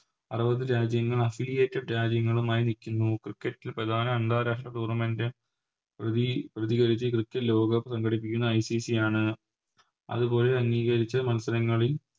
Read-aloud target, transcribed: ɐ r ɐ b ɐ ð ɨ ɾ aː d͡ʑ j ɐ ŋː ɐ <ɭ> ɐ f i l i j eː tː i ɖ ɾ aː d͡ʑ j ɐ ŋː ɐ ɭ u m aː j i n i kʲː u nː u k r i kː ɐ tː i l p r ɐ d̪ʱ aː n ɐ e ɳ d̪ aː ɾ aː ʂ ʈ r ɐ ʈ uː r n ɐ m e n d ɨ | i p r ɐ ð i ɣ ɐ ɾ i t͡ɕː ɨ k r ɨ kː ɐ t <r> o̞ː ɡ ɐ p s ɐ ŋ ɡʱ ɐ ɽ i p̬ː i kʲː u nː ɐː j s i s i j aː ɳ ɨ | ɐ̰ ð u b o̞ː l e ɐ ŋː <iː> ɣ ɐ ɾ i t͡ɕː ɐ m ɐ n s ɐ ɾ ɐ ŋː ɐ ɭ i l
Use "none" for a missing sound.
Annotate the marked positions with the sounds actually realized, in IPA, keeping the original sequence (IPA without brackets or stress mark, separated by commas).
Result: ɭ, l, iː